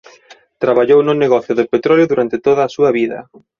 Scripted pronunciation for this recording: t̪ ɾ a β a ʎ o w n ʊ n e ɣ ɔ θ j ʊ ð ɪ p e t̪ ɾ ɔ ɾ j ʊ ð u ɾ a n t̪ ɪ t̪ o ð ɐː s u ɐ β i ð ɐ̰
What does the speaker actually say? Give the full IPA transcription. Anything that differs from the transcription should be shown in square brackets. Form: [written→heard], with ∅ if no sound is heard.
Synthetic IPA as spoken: t̪ ɾ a β a ʎ o w n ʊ n e ɣ ɔ θ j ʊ ð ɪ p e t̪ ɾ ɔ [ɾ→l] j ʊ ð u ɾ a n t̪ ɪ t̪ o ð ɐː s u ɐ β i ð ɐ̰